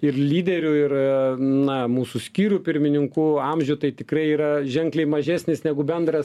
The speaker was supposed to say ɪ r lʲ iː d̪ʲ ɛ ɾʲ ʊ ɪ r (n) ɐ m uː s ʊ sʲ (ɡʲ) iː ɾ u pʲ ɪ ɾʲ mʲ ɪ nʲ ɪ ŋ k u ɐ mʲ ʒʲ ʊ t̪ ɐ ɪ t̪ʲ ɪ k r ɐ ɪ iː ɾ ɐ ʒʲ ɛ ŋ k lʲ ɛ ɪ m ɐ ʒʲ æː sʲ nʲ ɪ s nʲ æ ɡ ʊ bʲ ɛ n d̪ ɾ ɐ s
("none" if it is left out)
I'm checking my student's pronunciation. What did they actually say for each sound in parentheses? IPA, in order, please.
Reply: n, kʲ

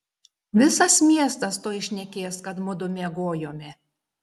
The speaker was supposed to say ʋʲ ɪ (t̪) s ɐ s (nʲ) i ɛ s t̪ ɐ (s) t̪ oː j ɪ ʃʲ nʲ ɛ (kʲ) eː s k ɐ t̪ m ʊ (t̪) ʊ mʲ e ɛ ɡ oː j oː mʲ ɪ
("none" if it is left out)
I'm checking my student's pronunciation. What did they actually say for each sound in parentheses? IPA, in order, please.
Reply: none, mʲ, s, kʲ, d̪

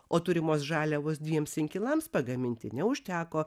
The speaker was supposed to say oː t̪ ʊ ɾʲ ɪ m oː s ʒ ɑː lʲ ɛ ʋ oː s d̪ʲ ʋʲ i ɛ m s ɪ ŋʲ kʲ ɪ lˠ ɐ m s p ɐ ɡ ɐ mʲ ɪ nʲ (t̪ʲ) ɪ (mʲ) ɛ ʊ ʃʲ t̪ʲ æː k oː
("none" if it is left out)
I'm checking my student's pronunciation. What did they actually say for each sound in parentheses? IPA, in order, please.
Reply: t̪ʲ, nʲ

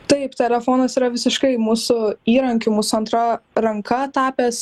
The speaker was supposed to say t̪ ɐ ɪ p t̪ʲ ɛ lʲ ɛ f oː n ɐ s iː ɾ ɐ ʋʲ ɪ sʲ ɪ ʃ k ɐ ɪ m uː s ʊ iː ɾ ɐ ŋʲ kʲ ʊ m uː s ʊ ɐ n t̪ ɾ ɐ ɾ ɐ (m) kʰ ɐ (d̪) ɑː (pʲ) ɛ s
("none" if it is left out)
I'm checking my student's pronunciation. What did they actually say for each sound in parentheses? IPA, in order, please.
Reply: ŋ, t̪, pʲ

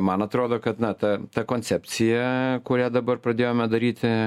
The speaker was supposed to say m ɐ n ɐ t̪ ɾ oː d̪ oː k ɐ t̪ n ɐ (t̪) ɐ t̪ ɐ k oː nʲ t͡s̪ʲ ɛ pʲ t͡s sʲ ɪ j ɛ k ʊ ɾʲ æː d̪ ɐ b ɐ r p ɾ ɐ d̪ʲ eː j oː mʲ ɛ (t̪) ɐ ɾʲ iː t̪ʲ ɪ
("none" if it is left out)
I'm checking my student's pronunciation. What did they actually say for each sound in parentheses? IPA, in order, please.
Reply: t̪, d̪

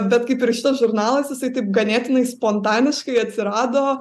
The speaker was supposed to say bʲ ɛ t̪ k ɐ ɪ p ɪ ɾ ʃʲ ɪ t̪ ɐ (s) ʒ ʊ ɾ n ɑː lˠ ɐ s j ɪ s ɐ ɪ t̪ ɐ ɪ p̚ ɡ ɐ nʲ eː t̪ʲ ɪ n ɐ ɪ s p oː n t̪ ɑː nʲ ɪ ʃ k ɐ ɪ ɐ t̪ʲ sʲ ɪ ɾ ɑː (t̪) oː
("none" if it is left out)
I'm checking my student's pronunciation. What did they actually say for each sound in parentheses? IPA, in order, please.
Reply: s, d̪

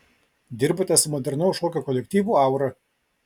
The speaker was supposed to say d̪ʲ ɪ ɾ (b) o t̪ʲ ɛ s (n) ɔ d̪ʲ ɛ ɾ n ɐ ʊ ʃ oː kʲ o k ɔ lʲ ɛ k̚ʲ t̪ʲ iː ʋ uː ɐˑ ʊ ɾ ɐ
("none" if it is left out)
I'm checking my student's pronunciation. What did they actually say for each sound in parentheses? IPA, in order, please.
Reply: b, m

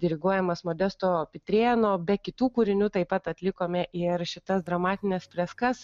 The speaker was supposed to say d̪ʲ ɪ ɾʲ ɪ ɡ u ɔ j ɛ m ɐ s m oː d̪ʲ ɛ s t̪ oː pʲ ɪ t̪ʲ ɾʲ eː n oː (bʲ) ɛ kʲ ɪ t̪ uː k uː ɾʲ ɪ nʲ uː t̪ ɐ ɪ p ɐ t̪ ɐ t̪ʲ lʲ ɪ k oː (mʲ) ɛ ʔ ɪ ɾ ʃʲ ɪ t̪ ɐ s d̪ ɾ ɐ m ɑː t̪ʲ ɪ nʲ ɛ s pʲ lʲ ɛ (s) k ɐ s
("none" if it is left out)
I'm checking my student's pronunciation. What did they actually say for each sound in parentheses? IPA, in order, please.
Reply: bʲ, mʲ, s

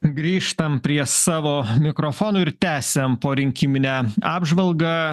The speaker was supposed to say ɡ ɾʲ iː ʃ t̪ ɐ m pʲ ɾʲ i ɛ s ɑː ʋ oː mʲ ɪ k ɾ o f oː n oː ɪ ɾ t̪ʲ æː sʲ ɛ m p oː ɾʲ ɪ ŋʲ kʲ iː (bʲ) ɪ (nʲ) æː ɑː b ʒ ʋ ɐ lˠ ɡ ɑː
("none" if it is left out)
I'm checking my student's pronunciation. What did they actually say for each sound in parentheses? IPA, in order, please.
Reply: mʲ, nʲ

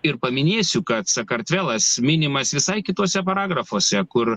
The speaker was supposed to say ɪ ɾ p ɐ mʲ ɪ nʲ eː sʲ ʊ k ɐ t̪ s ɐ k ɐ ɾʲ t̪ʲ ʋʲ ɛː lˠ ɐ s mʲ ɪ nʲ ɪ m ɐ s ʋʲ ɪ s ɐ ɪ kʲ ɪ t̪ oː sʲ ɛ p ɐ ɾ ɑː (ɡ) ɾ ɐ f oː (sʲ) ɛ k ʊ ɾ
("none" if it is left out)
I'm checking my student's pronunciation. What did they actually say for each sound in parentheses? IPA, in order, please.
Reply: ɡ, sʲ

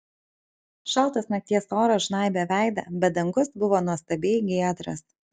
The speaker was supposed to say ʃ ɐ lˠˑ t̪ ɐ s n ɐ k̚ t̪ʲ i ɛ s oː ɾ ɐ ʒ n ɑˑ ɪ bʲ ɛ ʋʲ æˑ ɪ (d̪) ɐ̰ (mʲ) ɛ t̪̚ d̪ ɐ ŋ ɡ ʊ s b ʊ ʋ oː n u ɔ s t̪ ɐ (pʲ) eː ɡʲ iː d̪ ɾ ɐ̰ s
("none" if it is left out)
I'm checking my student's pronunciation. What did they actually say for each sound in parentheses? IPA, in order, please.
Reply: d̪, bʲ, bʲ

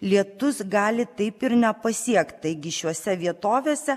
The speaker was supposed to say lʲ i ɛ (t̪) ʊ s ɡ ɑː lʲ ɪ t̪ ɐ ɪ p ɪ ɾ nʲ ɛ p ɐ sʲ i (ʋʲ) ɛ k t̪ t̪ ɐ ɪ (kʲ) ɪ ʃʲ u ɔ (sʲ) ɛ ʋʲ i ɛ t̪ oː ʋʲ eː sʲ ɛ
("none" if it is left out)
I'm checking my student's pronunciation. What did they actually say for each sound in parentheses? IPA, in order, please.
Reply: t̪, none, ɡʲ, sʲ

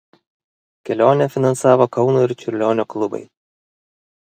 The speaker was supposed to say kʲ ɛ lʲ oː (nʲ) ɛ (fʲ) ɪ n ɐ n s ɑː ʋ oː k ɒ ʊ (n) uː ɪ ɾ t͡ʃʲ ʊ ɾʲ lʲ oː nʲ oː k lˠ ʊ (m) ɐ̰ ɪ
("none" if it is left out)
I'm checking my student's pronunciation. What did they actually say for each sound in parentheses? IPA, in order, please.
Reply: nʲ, fʲ, n, b

